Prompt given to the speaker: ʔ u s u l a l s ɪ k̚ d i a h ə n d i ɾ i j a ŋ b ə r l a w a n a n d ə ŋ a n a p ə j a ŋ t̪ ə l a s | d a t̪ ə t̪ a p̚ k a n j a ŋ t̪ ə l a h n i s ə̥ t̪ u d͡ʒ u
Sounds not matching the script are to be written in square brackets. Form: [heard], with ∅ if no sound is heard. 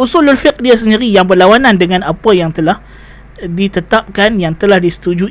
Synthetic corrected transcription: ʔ u s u l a l [f] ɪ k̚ d i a [s] ə n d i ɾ i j a ŋ b ə r l a w a n a n d ə ŋ a n a p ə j a ŋ t̪ ə l a [h] | d [i] t̪ ə t̪ a p̚ k a n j a ŋ t̪ ə l a h [d] i s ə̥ t̪ u d͡ʒ u